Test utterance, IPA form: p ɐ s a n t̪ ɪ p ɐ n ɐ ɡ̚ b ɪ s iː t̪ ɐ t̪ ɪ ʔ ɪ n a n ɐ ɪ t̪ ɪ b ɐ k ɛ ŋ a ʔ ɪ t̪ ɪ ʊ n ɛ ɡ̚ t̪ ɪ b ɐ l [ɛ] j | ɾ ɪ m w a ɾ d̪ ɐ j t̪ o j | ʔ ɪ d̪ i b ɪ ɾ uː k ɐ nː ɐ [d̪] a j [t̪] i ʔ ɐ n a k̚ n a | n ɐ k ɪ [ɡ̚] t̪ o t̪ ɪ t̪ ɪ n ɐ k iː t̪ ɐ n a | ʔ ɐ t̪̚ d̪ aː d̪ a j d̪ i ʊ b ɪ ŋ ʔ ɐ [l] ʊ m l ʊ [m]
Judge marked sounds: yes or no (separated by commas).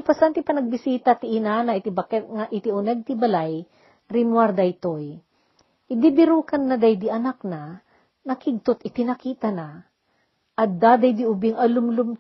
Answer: no, yes, no, yes, yes, yes